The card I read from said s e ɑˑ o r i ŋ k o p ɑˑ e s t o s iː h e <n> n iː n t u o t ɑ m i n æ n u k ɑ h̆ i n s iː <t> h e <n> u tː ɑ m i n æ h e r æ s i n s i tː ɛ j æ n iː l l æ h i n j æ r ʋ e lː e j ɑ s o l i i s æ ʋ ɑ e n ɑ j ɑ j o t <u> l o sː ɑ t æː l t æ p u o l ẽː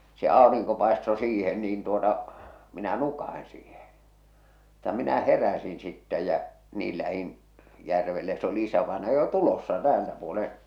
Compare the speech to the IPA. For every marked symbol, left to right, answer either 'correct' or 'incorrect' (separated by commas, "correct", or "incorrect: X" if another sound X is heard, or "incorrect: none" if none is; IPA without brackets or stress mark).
correct, incorrect: none, incorrect: m, correct